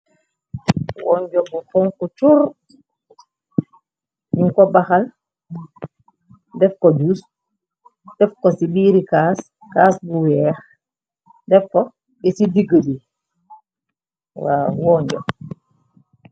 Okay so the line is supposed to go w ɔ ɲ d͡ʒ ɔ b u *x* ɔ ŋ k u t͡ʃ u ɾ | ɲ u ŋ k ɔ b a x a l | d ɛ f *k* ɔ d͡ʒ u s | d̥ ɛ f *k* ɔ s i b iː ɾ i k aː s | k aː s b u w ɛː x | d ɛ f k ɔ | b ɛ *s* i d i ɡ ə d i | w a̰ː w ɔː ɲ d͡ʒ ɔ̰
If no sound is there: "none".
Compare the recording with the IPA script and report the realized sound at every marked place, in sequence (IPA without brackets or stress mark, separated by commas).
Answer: f, k, k, s